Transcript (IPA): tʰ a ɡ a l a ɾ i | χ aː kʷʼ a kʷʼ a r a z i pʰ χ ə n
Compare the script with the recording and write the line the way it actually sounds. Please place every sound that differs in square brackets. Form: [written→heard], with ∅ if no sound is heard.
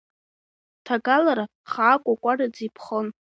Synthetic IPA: tʰ a ɡ a l a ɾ [i→a] | χ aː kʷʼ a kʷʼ a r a [z→d͡z] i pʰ χ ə n